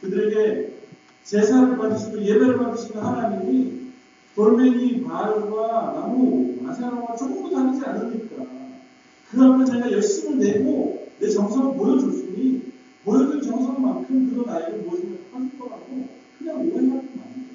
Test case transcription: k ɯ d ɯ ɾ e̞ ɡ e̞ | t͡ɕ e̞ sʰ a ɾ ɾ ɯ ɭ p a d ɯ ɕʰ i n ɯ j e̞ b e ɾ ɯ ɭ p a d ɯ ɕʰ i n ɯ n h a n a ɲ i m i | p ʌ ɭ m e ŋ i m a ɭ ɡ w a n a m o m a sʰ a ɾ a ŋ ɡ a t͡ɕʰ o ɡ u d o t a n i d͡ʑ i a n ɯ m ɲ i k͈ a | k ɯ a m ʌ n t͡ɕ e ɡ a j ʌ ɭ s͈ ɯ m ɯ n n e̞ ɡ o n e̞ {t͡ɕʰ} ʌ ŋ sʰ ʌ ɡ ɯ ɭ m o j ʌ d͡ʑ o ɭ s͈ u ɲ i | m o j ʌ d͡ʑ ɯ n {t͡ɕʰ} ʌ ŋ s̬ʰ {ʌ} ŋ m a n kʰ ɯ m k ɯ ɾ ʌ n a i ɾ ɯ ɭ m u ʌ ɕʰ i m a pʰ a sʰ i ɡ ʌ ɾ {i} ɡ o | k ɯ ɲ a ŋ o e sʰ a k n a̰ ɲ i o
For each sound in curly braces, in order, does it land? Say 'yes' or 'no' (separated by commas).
no, no, yes, no